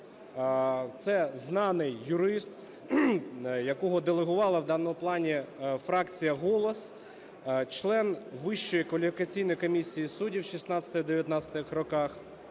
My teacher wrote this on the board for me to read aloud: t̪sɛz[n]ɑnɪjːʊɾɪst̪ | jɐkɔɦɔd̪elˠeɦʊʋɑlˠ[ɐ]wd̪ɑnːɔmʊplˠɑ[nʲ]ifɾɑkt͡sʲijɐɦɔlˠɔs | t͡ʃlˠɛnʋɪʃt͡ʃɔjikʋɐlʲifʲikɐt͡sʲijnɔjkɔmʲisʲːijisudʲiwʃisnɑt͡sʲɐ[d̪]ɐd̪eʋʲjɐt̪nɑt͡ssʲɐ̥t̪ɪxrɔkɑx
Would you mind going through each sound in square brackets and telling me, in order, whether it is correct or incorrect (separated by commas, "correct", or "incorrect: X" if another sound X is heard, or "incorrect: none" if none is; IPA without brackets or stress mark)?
correct, correct, correct, incorrect: t̪